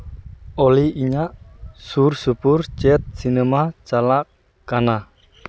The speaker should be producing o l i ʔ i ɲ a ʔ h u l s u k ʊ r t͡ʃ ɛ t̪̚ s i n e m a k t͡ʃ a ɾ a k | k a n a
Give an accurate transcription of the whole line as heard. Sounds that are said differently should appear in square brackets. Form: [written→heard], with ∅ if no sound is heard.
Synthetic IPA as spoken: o l i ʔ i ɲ a ʔ [h→s] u [l→r] s u [k→p] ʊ r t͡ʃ ɛ t̪̚ s i n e m a [k→∅] t͡ʃ a [ɾ→l] a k | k a n a